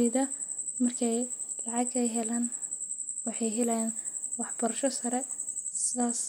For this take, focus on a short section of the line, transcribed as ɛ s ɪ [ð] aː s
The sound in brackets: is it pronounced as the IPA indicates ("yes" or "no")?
yes